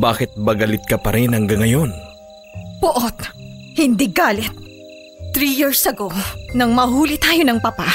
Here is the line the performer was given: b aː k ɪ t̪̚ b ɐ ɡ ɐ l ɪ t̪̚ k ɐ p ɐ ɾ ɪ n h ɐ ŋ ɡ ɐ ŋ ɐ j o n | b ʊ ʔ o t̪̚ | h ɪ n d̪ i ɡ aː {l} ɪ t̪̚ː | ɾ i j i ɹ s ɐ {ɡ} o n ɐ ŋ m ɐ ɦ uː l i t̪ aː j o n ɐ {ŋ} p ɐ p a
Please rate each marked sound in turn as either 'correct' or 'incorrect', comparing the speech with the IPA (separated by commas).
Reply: correct, correct, correct